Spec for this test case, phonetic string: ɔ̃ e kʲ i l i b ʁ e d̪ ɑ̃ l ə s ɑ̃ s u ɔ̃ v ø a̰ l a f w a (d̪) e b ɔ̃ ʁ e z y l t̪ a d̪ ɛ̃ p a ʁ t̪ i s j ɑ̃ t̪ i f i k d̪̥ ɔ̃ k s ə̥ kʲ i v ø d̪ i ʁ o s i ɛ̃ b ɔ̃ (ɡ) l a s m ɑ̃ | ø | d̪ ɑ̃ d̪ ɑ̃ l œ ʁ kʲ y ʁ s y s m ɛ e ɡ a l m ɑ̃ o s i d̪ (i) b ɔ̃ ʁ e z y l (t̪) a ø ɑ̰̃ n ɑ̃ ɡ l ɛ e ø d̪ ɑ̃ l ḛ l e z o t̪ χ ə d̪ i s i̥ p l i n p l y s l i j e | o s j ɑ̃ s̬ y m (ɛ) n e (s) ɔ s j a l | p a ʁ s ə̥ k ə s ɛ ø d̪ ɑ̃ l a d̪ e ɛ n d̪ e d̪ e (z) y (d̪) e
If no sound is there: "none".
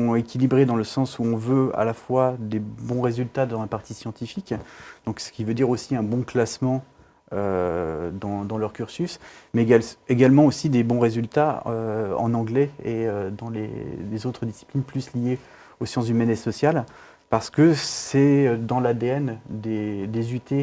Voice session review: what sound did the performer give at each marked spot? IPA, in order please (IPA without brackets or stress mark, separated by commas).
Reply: d̪, k, e, t̪, ɛ, s, z, t̪